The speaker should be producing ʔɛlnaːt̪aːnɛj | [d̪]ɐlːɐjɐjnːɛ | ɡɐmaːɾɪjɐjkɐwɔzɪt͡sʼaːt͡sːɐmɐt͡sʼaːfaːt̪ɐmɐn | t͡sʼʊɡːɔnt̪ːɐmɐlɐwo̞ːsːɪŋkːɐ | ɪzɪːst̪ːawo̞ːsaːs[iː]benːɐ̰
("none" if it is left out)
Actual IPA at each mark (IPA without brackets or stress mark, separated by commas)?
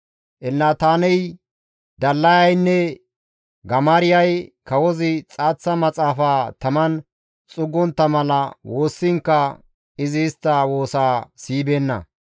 d̪, iː